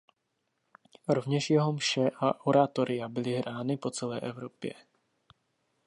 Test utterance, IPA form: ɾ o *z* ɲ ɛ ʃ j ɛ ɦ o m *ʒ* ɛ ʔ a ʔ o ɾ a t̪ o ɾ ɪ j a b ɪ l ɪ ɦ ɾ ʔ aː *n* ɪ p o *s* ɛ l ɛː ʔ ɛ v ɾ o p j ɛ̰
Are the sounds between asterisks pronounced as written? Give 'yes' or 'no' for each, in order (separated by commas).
no, no, yes, no